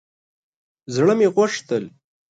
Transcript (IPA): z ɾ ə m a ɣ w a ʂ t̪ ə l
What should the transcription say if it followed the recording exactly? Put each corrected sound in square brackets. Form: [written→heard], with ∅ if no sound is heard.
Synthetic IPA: z [ɾ→ɽ] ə m [a→e] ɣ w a ʂ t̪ ə l